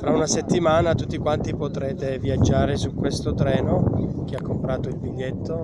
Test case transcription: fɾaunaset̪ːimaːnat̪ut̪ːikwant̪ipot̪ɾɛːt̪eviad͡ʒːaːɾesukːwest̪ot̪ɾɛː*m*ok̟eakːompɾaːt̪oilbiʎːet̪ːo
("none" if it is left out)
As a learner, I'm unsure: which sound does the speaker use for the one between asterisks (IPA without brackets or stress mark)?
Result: n